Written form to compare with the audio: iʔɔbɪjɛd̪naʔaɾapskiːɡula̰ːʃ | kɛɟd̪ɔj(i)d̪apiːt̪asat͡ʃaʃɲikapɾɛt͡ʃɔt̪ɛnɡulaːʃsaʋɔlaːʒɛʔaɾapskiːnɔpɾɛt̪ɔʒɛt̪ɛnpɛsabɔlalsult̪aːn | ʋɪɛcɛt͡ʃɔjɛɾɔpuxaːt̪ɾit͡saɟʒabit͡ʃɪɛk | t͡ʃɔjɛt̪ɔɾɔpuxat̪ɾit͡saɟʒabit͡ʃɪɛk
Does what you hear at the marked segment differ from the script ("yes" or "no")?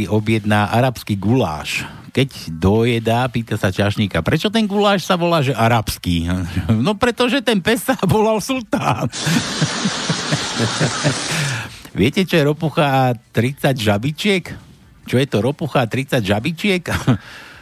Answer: yes